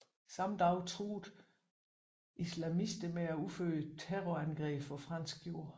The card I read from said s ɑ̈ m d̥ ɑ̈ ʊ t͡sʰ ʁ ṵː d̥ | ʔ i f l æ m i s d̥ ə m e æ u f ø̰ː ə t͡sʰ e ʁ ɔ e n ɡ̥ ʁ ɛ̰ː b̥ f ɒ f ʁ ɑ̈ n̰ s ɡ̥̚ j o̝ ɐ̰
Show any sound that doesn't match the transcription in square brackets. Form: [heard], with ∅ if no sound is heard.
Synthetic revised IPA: s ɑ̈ m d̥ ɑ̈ ʊ t͡sʰ ʁ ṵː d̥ | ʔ i [s] l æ m i s d̥ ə m e æ u f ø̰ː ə t͡sʰ e ʁ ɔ [æ] n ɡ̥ ʁ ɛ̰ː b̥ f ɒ f ʁ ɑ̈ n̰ s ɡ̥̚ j o̝ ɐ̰